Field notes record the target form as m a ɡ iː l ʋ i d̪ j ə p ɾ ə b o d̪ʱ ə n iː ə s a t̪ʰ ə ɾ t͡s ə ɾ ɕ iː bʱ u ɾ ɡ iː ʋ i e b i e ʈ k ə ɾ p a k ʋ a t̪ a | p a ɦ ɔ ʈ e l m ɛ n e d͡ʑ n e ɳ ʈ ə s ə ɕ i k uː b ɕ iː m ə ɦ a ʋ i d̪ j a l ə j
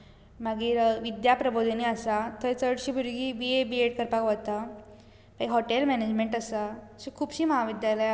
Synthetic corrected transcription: m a ɡ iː ɾ ʋ i d̪ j a p ɾ ə b o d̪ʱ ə n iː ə s a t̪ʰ ə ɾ t͡s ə ɽ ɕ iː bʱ u ɾ ɡ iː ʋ i e b i e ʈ k ə ɾ p a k ʋ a t̪ a | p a ɦ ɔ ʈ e l m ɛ n e d͡ʑ m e ɳ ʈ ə s a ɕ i kʰ uː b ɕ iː m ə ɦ a ʋ i d̪ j a l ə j